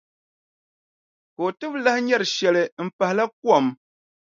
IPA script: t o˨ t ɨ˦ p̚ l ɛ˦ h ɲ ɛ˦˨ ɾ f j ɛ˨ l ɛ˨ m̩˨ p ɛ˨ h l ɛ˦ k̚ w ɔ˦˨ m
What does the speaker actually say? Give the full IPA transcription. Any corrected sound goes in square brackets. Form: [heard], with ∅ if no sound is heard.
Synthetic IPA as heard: [k] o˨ t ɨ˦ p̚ l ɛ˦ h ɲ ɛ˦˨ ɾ [ʃ] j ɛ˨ l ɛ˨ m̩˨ p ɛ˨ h l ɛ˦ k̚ w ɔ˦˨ m